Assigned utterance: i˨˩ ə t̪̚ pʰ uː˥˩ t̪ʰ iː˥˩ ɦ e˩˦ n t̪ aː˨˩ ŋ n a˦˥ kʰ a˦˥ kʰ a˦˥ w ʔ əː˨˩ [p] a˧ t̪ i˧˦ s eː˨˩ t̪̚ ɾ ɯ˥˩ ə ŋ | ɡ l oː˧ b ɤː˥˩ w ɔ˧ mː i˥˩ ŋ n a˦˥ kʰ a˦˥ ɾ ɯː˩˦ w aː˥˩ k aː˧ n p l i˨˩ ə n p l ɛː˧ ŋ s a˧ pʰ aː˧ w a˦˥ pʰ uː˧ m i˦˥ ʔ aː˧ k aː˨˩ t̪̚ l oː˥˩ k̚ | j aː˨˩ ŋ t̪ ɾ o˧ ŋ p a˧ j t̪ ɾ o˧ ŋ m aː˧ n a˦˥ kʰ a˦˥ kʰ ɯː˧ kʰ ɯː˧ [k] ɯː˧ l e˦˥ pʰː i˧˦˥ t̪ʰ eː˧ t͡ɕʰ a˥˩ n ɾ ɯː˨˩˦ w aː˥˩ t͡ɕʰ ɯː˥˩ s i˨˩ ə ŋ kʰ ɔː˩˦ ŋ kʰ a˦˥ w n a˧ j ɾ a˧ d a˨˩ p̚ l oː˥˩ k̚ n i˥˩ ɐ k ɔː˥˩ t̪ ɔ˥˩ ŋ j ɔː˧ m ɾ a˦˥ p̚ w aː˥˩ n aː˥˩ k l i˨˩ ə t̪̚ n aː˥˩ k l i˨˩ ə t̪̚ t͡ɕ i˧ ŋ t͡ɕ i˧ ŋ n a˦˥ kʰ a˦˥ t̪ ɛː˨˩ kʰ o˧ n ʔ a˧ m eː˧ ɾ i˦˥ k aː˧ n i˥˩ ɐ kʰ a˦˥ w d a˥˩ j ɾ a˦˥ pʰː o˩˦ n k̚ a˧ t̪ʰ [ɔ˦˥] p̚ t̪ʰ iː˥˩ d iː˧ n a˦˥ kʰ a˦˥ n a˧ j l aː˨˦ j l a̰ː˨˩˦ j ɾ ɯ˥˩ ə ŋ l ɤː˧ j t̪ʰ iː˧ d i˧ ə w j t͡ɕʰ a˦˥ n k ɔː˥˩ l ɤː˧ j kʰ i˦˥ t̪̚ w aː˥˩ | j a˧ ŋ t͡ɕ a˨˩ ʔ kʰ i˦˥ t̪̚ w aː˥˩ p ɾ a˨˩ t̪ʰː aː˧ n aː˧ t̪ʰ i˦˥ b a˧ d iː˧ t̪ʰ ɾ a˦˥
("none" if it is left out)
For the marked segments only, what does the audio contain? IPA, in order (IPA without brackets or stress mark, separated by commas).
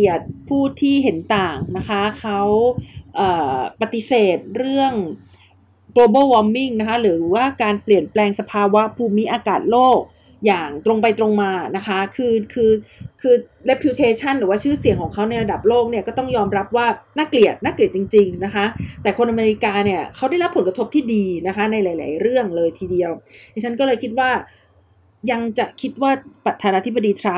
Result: p, kʰ, o˦˥